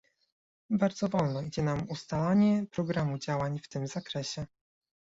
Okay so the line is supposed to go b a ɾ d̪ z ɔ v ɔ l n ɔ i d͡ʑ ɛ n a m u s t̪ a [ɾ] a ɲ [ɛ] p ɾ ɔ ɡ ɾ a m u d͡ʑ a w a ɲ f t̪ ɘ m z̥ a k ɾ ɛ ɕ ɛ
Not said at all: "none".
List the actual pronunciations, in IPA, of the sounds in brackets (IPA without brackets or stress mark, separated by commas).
l, ɛ